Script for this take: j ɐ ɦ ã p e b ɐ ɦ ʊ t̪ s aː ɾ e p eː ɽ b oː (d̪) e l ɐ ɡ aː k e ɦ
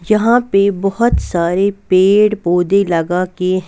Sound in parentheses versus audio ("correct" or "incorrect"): correct